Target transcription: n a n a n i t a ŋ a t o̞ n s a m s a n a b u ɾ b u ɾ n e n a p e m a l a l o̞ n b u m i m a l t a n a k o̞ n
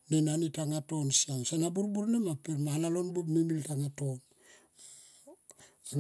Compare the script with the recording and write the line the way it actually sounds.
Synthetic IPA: n e n a n i t a ŋ a t o̞ n s a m s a n a b u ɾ b u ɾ n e m a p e m a l a l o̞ n b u m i m i l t a ŋ a t o̞ n

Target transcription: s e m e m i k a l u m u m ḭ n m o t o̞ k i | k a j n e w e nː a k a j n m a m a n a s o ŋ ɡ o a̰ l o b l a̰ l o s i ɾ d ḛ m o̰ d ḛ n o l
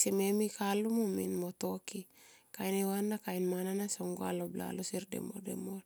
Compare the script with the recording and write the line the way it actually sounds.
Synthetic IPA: s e m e m i k a l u m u m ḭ n m o t o̞ k i | k a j n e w a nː a k a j n m a n a n a s o ŋ ɡ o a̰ l o b l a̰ l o s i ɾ d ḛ m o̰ d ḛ m o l

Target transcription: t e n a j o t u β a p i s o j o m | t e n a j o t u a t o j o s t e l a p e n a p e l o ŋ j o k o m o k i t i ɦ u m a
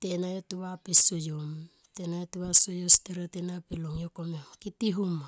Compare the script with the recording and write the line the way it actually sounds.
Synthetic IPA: t e n a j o t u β a p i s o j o m | t e n a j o t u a s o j o s t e ɾ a t e n a p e l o ŋ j o k o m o k i t i ɦ u m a

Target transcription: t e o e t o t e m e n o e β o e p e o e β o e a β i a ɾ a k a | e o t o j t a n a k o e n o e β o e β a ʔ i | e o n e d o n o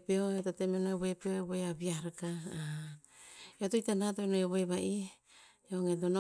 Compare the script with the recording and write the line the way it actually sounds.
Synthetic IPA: p e o e t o t e m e n o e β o e p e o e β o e a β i a ɾ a k a | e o t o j t a n a t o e n o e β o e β a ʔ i | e o ŋ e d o n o

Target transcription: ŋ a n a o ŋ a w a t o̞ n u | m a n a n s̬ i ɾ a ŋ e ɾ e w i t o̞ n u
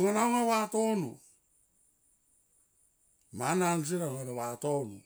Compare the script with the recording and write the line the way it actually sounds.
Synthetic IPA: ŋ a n a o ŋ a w a t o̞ n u | m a n a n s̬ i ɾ a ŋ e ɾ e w a t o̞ n u

